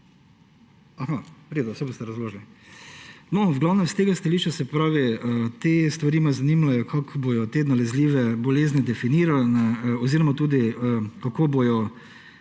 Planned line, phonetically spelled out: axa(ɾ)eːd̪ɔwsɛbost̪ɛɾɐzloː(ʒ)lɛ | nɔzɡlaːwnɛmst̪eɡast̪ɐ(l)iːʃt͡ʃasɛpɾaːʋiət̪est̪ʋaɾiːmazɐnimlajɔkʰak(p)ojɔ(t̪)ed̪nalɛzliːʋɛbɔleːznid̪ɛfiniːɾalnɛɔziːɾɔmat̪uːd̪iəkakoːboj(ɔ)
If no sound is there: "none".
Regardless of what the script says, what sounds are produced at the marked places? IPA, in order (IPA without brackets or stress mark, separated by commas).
ɾ, ʒ, l, b, t̪, ɔ